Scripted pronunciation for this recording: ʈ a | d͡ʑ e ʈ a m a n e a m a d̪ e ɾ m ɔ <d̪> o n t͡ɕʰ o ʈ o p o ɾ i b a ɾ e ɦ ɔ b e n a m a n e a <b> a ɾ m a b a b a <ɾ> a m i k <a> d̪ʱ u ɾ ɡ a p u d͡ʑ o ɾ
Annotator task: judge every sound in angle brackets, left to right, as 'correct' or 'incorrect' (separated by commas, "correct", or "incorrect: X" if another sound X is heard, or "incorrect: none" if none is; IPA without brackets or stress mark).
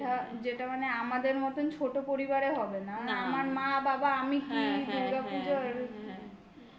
incorrect: t̪, incorrect: m, incorrect: none, incorrect: i